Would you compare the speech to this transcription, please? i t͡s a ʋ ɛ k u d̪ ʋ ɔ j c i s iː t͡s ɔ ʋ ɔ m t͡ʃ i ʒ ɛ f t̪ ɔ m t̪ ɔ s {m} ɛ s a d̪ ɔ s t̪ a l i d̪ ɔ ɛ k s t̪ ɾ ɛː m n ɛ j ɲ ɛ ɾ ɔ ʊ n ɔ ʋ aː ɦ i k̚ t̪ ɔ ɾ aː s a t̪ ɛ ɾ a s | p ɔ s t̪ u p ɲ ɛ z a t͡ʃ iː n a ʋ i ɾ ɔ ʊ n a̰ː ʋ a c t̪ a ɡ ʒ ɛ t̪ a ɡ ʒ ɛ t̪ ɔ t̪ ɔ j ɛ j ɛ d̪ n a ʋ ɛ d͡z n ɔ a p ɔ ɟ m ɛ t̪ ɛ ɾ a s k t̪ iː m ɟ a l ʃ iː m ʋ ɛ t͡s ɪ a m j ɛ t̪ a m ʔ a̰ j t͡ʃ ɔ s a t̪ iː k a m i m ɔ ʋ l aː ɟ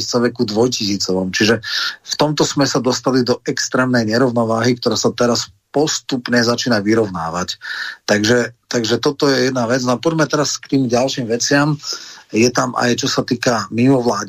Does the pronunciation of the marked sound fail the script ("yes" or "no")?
no